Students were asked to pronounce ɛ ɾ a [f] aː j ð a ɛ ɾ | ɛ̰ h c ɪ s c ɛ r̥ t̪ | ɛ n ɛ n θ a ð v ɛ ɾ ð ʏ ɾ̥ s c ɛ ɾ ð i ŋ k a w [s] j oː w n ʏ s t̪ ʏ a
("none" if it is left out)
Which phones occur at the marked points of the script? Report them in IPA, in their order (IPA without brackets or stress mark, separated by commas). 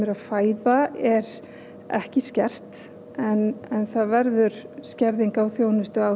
f, θ